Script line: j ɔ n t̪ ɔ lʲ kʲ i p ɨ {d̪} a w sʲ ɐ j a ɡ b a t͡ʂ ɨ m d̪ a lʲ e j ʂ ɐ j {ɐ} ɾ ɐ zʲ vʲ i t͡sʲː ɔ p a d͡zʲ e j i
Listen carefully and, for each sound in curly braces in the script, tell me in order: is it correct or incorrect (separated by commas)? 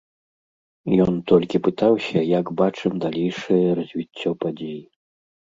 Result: incorrect, correct